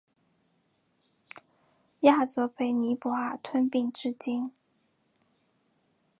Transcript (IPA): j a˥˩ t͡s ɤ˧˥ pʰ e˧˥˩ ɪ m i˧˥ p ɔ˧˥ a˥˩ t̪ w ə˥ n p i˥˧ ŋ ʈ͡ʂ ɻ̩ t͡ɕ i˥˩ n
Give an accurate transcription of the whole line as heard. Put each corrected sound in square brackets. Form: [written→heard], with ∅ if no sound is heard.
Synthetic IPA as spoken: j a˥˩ t͡s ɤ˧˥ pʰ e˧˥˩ ɪ [m→n] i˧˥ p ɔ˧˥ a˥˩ [t̪→t̪ʰ] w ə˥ n p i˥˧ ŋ ʈ͡ʂ ɻ̩ t͡ɕ [i˥˩→i˥] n